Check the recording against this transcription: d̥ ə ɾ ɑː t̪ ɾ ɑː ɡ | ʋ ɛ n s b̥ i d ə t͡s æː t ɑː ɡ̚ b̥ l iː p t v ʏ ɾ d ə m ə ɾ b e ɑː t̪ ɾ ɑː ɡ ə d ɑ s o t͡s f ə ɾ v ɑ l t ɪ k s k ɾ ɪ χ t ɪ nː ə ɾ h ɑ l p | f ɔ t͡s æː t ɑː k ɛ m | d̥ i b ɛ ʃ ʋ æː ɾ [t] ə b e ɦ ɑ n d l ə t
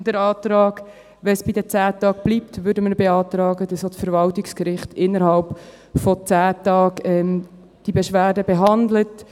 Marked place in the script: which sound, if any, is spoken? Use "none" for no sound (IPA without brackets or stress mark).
d